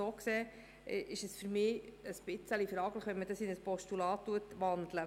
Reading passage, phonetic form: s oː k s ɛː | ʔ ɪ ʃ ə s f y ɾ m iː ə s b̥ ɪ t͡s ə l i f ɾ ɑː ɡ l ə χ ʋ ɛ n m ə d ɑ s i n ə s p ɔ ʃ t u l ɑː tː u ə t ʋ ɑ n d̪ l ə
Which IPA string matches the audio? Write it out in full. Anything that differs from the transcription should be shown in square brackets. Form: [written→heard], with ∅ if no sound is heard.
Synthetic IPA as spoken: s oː k s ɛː | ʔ ɪ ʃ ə s f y ɾ m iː ə s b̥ ɪ t͡s ə l i f ɾ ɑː ɡ l ə χ ʋ ɛ n m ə d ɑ s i n ə s p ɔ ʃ t u l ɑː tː u ə t ʋ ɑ n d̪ l ə